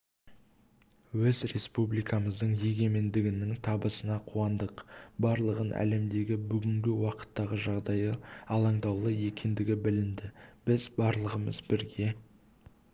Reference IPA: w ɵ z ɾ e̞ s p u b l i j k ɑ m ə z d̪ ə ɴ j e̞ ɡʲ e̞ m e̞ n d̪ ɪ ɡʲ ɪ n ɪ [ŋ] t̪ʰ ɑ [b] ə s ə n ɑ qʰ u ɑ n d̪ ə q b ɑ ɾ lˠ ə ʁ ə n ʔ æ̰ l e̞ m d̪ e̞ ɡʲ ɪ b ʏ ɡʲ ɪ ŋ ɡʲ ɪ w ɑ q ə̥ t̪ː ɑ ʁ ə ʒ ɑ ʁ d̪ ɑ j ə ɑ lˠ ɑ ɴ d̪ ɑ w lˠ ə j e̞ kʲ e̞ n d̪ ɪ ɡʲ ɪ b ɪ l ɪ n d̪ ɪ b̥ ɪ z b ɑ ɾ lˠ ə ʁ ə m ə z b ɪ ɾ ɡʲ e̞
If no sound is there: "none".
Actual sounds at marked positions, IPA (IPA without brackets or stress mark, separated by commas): ŋ, b